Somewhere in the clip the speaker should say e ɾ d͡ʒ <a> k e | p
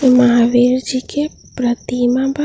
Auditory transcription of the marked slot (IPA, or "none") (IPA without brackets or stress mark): i